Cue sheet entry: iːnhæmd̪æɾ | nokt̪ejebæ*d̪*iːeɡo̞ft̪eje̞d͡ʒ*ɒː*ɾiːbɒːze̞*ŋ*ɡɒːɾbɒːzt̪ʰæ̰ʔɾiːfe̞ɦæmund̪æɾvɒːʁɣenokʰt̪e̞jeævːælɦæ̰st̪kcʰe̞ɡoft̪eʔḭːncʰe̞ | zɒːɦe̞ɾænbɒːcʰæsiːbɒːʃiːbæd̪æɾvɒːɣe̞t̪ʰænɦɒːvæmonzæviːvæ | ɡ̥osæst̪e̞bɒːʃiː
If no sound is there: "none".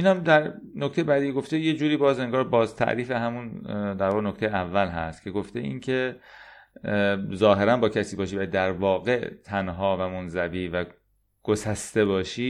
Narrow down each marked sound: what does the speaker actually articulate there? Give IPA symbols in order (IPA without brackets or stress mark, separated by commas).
d̪, uː, ŋ